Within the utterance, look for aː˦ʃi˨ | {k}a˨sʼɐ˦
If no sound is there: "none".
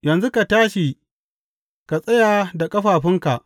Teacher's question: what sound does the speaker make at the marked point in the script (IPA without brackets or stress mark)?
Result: k